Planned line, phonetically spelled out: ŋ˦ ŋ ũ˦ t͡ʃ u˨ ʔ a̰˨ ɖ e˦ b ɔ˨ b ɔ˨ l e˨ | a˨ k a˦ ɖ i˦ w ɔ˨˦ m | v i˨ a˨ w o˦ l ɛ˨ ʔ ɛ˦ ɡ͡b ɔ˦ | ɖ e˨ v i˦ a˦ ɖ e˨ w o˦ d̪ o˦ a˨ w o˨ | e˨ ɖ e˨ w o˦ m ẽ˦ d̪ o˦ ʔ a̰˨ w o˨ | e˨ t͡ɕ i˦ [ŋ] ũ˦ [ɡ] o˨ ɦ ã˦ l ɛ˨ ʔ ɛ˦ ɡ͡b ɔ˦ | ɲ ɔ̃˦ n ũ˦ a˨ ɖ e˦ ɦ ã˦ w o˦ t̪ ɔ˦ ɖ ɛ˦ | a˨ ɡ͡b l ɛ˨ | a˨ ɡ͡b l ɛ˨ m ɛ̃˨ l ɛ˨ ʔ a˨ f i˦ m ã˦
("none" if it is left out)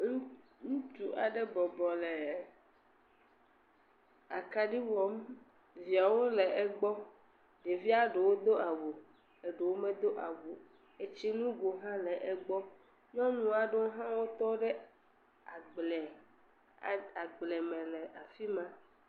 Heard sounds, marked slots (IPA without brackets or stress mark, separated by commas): n, ɡ